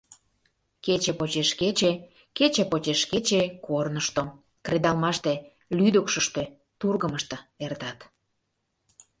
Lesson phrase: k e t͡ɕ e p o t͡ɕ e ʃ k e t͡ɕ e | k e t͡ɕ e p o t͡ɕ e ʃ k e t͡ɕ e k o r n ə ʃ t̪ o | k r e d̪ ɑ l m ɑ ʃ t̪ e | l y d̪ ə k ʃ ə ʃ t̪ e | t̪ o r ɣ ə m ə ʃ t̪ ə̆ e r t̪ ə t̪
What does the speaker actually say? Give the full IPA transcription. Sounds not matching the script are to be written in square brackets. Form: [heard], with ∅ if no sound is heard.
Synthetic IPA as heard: k e t͡ɕ e p o t͡ɕ e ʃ k e t͡ɕ e | k e t͡ɕ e p o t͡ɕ e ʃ k e t͡ɕ e k o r n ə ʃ t̪ o | k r e d̪ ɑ l m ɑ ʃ t̪ e | l y d̪ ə k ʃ ə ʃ t̪ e | t̪ [u] r ɣ ə m ə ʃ t̪ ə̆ e r t̪ [ɑ] t̪